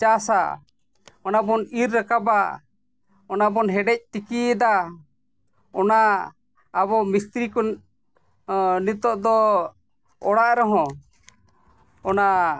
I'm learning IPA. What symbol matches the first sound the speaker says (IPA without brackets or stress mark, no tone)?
t͡ʃ